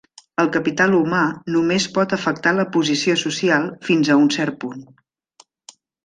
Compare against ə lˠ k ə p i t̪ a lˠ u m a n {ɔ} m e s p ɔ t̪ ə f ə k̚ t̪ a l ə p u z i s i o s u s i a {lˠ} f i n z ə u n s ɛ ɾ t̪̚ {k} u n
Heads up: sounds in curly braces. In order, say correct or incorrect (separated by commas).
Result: incorrect, correct, incorrect